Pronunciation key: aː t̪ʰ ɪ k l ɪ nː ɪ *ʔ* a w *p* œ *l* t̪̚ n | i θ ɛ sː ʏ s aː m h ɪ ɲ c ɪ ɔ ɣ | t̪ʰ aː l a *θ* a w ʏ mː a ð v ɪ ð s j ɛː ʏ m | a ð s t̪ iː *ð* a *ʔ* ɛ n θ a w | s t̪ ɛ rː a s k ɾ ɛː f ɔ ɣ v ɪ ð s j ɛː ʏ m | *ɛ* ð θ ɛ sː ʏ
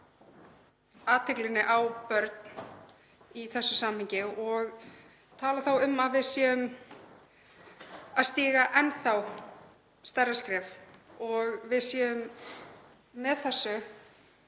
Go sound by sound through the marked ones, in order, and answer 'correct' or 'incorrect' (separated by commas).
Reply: correct, correct, incorrect, correct, incorrect, correct, correct